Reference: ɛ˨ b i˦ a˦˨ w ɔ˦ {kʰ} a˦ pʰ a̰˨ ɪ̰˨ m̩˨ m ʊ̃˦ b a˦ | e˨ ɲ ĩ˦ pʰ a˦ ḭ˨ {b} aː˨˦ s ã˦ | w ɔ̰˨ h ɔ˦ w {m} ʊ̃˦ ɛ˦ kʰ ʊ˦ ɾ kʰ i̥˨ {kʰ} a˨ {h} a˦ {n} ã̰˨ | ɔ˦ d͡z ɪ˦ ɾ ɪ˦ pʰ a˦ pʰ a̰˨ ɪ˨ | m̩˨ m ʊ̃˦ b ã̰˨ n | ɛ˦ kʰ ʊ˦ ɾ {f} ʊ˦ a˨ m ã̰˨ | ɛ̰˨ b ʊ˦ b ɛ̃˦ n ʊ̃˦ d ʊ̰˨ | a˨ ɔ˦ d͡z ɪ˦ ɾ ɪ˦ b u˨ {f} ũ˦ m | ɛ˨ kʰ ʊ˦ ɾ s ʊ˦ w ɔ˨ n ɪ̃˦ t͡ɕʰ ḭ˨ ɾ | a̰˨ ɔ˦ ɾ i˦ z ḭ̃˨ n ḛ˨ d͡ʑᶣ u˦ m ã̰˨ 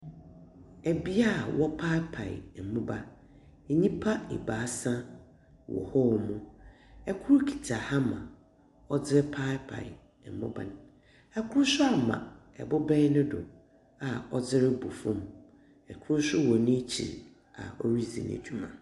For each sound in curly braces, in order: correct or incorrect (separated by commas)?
incorrect, correct, correct, incorrect, correct, incorrect, incorrect, correct